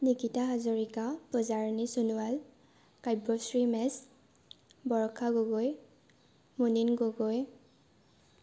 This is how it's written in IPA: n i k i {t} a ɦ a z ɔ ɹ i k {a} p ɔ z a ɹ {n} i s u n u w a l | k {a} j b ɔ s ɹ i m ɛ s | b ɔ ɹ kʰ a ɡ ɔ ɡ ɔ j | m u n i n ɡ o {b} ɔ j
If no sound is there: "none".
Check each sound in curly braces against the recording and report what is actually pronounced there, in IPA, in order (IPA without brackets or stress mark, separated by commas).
t, a, n, a, ɡ